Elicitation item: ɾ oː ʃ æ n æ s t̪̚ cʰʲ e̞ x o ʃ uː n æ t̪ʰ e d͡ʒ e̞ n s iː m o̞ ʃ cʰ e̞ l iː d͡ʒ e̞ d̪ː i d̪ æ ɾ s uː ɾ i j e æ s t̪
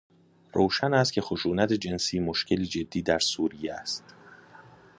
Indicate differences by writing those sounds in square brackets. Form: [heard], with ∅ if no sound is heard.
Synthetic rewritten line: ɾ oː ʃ æ n æ s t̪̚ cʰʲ e̞ x o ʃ uː n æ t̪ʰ e d͡ʒ e̞ n s iː m o̞ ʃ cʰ e̞ l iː d͡ʒ e̞ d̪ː [iː] d̪ æ ɾ s uː ɾ i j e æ s t̪